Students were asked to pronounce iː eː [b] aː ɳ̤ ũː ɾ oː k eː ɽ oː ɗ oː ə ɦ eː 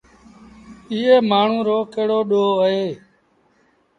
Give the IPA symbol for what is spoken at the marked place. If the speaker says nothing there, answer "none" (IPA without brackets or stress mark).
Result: m